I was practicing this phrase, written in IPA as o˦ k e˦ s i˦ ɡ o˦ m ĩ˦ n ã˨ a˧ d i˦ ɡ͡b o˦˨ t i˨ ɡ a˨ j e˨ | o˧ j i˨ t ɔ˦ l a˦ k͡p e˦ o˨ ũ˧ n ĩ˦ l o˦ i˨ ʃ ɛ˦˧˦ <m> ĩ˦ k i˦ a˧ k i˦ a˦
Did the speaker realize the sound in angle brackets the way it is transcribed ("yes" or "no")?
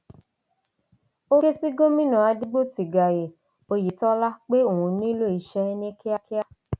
no